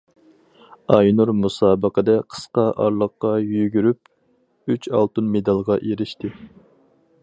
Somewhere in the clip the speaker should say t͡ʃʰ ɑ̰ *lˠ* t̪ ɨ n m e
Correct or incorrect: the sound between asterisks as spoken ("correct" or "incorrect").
correct